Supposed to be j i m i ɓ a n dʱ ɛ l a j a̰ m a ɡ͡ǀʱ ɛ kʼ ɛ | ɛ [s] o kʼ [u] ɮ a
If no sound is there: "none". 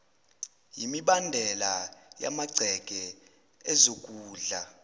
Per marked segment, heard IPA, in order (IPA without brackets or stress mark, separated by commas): z, uː